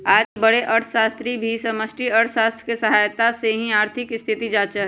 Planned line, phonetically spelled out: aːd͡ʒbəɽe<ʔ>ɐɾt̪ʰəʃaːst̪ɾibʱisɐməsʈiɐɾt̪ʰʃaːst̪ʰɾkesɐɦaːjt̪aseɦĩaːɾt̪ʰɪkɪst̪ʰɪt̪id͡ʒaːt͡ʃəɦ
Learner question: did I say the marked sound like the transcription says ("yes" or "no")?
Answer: yes